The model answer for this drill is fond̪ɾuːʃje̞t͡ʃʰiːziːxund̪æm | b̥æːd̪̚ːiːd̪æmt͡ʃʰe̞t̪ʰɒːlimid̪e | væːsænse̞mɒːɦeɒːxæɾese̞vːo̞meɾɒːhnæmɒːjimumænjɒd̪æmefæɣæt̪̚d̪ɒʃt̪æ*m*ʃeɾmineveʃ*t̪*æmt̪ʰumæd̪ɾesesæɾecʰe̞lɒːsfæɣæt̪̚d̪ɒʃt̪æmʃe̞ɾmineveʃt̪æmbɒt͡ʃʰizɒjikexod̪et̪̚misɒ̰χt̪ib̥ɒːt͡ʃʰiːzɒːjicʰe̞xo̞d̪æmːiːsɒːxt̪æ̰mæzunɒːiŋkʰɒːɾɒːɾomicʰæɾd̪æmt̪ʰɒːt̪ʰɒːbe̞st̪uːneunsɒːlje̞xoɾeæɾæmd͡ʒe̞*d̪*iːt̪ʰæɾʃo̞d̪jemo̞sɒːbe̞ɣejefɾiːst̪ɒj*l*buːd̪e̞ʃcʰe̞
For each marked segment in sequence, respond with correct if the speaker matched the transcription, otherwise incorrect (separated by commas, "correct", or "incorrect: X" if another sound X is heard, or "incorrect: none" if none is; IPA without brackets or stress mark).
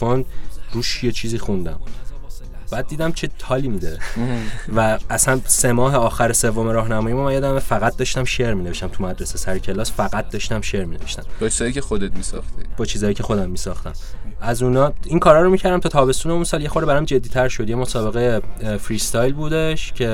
correct, correct, incorrect: d̪ː, correct